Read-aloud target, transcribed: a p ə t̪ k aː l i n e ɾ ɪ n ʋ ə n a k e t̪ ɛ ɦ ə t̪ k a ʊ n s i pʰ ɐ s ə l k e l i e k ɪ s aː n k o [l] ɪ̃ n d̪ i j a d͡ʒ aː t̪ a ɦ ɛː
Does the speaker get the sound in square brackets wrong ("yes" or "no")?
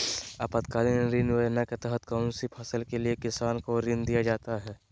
yes